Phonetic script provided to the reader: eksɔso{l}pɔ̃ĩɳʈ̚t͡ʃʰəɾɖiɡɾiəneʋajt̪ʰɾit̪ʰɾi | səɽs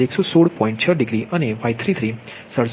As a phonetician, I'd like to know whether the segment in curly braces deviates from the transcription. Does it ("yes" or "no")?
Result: yes